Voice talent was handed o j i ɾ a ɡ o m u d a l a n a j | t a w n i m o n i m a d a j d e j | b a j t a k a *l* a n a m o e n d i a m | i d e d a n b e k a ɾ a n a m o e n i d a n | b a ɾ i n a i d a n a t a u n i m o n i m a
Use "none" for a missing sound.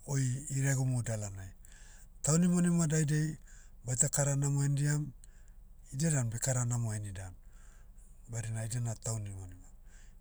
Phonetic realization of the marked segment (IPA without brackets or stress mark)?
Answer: ɾ